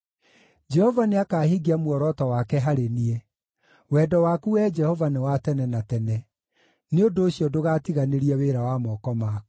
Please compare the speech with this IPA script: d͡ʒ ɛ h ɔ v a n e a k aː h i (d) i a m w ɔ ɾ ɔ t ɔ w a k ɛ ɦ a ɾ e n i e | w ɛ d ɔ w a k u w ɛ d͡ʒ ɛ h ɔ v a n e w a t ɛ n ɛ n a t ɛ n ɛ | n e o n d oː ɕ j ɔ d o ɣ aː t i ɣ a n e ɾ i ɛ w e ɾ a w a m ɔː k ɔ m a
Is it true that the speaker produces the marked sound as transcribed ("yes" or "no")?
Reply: no